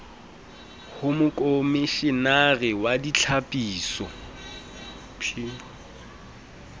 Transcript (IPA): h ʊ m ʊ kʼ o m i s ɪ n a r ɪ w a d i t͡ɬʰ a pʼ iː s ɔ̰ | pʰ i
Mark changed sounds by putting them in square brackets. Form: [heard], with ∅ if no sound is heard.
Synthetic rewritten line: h ʊ m ʊ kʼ o m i [ʃ] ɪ n a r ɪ w a d i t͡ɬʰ a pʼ iː s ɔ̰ | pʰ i